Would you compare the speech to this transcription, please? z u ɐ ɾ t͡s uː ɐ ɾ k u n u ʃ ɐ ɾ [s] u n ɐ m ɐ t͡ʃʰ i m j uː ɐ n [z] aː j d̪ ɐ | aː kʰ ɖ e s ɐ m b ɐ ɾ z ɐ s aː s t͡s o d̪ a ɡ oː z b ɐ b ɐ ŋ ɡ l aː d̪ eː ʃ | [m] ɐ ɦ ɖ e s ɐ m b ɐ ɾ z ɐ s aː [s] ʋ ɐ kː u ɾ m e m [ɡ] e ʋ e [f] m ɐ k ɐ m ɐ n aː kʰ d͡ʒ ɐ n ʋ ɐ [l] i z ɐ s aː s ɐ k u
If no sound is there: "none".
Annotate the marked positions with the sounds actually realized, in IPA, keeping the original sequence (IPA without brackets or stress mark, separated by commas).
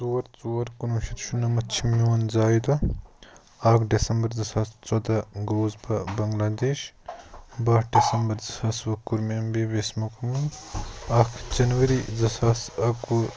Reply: ʃ, z, b, s, b, s, ɾ